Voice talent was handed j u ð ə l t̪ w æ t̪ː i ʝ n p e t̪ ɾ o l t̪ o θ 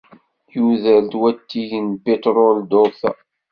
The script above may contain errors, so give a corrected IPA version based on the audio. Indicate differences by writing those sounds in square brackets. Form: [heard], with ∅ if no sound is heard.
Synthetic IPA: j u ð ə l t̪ w æ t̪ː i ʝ n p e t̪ ɾ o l [d̪] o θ